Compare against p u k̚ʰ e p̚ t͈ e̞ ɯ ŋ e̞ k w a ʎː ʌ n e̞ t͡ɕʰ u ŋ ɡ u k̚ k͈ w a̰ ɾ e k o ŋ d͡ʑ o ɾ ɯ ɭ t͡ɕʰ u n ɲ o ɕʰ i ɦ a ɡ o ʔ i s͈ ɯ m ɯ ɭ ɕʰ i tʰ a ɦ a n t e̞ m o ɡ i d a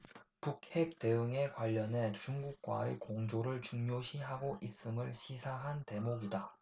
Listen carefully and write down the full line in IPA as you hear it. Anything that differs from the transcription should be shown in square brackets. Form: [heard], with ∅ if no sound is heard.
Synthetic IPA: p u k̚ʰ e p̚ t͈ e̞ ɯ ŋ e̞ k w a ʎː ʌ n e̞ [t͡ɕ] u ŋ ɡ u k̚ k͈ w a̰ [∅] e k o ŋ d͡ʑ o ɾ ɯ ɭ [t͡ɕ] u [ŋ] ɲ o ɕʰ i ɦ a ɡ o ʔ i s͈ ɯ m ɯ ɭ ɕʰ i [sʰ] a ɦ a n t e̞ m o ɡ i d a